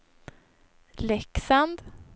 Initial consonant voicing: voiced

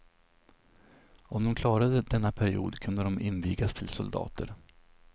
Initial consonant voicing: voiced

